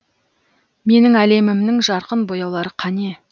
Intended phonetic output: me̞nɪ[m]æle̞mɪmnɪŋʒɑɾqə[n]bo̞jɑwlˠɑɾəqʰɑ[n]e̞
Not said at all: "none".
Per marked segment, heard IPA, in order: ŋ, n, n

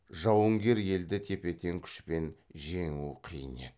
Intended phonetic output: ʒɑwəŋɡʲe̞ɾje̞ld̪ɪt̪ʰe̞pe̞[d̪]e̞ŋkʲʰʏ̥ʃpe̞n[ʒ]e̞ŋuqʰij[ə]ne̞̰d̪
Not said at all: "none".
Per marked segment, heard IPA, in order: t̪, ʒ, ə

